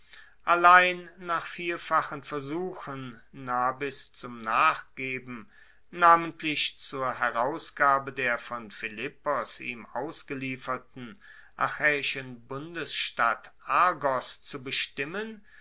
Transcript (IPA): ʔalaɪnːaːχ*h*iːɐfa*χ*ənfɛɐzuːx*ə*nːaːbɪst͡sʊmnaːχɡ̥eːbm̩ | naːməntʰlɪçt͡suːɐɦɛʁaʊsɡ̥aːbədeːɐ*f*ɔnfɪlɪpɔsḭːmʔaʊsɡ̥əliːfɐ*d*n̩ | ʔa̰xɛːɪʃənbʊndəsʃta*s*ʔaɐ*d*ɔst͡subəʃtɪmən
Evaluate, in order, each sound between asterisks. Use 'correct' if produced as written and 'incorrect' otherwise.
incorrect: f, correct, correct, correct, incorrect: t, incorrect: t, incorrect: ɡ

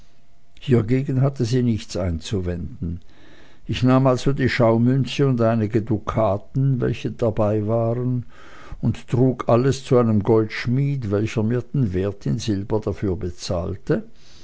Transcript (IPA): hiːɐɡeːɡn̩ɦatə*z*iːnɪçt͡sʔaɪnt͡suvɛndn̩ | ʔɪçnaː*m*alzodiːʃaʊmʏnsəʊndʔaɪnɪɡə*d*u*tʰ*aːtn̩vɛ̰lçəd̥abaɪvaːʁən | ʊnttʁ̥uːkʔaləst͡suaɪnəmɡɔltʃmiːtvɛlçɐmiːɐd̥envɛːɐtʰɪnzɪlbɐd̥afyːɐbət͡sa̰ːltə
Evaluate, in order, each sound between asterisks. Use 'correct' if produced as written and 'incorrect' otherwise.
correct, correct, correct, incorrect: kʰ

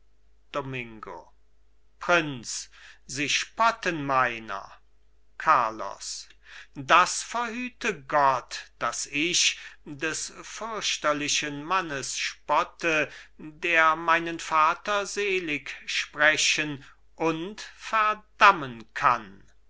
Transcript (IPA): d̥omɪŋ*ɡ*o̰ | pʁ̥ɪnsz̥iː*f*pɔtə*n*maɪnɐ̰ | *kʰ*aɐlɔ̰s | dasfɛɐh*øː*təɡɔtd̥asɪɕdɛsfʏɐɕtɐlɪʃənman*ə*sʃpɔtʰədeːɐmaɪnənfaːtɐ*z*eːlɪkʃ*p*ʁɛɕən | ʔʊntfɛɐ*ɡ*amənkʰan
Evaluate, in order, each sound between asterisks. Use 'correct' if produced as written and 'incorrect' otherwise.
correct, incorrect: ʃ, correct, correct, incorrect: yː, correct, correct, correct, incorrect: d

